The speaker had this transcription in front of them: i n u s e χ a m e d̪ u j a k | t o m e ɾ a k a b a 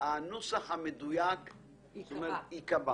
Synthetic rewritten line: a n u s a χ a m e d̪ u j a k | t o m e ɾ i k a b a